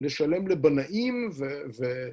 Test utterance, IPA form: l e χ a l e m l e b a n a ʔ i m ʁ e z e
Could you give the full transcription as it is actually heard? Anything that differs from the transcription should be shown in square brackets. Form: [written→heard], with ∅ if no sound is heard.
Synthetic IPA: l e [χ→ʃ] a l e m l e b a n a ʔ i m [ʁ→v] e [z→v] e